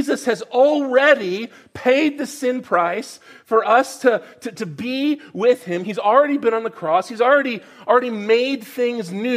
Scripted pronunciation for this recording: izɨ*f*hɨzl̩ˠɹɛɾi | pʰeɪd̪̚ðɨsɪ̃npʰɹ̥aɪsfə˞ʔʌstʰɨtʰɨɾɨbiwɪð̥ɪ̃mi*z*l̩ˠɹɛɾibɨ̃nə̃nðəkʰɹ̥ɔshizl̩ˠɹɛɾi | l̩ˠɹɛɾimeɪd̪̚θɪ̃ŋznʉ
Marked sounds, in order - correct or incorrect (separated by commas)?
incorrect, correct